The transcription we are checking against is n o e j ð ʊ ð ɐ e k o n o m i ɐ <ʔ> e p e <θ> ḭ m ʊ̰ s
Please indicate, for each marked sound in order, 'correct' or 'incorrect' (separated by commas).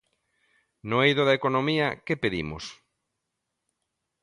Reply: incorrect, incorrect